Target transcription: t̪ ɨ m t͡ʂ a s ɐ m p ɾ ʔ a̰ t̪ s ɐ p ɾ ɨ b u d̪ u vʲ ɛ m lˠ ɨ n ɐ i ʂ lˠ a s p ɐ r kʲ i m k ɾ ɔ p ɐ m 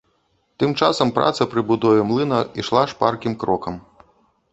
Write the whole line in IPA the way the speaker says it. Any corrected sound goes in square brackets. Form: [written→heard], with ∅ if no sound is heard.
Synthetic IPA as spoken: t̪ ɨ m t͡ʂ a s ɐ m p ɾ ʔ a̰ t̪ s ɐ p ɾ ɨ b u d̪ [u→ɔ] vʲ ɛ m lˠ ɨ n ɐ i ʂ lˠ a [s→ʂ] p [ɐ→a] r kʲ i m k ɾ ɔ [p→k] ɐ m